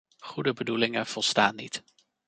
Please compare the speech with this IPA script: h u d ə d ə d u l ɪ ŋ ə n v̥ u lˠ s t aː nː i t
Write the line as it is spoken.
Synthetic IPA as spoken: χ u d ə b ə d u l ɪ ŋ ə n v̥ ɔ lˠ s t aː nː i t